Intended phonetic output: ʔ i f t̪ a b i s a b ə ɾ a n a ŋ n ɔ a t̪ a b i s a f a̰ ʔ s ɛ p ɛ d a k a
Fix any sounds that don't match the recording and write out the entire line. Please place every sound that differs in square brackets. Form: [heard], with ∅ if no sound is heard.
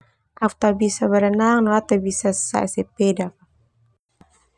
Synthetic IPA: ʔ [a] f t̪ a b i s a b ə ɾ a n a ŋ n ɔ a t̪ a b i s a [s] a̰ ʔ s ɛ p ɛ d a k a